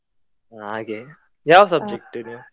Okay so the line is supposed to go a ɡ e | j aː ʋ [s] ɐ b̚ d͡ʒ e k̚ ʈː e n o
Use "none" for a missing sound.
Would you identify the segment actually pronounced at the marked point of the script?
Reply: s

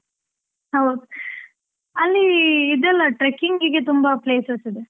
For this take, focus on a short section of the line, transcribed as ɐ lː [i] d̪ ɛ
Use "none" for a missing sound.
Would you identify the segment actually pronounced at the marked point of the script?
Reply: iː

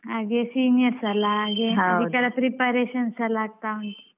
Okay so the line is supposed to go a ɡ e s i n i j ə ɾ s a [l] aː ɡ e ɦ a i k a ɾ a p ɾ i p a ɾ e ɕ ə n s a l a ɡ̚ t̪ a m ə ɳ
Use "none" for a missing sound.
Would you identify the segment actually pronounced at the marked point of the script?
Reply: l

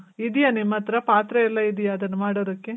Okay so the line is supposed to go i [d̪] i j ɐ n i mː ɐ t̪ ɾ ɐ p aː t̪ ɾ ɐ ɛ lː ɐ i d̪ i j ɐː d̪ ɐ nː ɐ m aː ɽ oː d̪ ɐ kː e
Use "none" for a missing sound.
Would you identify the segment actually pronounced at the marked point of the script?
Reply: d̪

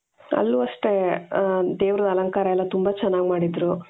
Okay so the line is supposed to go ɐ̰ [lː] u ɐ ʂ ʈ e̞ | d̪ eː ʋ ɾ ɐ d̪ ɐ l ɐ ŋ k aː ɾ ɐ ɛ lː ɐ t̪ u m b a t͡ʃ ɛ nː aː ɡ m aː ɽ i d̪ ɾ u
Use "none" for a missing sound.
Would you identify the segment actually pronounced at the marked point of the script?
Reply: lː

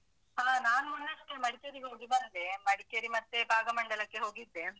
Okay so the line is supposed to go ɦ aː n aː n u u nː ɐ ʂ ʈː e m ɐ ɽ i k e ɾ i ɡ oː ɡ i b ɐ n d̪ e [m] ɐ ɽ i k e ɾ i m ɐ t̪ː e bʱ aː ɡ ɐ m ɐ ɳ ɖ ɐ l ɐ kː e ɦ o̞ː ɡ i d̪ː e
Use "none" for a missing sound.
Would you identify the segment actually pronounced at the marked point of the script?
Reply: m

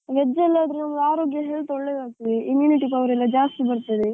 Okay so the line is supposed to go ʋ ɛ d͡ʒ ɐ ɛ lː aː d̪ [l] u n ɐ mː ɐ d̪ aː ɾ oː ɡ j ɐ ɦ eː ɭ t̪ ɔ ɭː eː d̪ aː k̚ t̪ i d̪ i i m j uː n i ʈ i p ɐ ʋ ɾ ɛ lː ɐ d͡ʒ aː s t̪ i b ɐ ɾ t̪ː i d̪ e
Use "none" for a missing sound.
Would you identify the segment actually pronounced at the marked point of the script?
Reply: ɾ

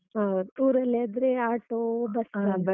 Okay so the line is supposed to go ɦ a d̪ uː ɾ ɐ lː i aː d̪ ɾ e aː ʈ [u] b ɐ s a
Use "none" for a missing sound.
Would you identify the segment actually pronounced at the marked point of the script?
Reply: o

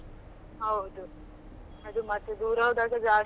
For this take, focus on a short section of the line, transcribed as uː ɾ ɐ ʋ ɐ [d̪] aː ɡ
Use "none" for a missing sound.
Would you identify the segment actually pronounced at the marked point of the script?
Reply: d̪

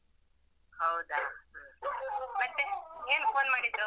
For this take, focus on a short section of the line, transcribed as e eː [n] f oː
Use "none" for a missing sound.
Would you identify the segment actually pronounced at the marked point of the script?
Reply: n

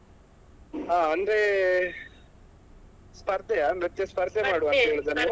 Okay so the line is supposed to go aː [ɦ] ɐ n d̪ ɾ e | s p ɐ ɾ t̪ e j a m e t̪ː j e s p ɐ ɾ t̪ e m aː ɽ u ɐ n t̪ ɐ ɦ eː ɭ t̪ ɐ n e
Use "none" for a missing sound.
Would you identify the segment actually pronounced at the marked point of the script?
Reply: none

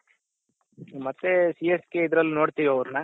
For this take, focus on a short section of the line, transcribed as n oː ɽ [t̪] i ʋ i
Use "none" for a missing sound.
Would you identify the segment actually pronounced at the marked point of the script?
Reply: t̪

